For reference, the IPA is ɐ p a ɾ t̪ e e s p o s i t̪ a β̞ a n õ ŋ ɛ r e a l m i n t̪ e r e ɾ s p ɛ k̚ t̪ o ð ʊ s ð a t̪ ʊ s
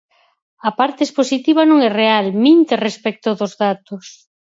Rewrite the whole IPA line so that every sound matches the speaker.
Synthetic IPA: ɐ p a ɾ t̪ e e s p o s i t̪ i β̞ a n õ ŋ ɛ r e a l m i n t̪ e r e s p ɛ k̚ t̪ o ð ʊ z ð a t̪ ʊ s